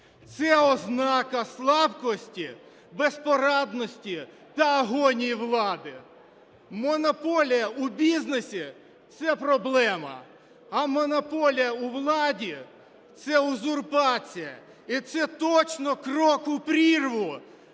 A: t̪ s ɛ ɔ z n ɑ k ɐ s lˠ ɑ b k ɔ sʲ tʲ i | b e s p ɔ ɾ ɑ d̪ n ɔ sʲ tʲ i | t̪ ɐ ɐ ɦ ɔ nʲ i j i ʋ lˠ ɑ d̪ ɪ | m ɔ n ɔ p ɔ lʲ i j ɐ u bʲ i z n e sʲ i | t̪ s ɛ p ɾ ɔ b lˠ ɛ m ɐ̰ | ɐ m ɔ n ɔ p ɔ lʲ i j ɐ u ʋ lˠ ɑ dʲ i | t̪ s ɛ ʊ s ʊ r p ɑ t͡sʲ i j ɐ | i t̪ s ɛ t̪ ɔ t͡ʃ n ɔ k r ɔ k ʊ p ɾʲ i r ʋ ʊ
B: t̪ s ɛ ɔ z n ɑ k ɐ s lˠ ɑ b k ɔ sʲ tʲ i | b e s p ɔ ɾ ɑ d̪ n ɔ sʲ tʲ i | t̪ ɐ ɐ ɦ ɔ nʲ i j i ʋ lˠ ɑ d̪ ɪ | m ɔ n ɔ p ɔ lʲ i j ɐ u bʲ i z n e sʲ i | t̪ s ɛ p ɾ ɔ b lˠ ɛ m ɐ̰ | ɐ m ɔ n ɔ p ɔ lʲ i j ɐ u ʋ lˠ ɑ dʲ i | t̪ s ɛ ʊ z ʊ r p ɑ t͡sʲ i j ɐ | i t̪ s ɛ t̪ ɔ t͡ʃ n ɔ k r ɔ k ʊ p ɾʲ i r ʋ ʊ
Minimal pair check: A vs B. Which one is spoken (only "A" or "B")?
B